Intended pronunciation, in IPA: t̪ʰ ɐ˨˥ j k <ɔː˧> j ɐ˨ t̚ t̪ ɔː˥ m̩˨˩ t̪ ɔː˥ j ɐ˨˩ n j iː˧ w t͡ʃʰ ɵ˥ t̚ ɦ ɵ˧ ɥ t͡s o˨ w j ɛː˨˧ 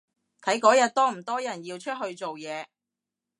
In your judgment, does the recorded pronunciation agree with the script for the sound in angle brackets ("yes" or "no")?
no